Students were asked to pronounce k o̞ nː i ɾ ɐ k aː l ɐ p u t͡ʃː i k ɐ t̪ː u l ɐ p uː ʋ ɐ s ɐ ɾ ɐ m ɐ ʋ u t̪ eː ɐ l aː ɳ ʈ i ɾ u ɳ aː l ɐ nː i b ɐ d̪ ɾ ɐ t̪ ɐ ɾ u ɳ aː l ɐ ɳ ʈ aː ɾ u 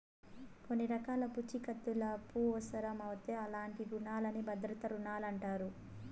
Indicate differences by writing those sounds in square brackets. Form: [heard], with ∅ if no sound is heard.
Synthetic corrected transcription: k o̞ nː i ɾ ɐ k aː l ɐ p u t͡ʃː i k ɐ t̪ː u l ɐ p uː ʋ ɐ s ɐ ɾ ɐ m ɐ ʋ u t̪ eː ɐ l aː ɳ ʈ i ɾ u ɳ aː l ɐ [n] i b ɐ d̪ ɾ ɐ t̪ ɐ ɾ u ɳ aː l ɐ ɳ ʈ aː ɾ u